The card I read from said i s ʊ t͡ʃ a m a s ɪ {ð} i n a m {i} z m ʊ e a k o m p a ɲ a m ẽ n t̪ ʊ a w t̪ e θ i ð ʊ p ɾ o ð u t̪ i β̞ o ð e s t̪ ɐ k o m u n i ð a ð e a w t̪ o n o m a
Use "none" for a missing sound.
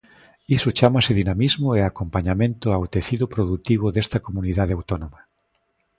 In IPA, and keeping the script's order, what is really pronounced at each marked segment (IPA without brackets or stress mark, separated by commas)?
ð, i